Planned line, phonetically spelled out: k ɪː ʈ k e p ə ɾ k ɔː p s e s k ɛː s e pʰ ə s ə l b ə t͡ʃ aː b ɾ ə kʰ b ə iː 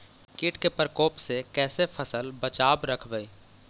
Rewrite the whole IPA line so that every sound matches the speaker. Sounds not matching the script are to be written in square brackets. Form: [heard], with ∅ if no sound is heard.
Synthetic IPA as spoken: k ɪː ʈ k e p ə ɾ k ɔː p s e [∅] k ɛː s e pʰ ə s ə l b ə t͡ʃ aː b ɾ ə kʰ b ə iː